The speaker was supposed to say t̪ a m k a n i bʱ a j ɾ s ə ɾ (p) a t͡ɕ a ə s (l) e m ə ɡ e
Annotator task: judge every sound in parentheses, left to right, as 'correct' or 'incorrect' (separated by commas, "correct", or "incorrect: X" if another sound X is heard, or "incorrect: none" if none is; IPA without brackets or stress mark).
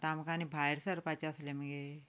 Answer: correct, correct